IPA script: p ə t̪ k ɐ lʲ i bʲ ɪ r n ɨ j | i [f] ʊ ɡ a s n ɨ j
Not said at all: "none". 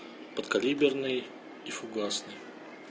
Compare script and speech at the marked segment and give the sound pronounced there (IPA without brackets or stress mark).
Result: f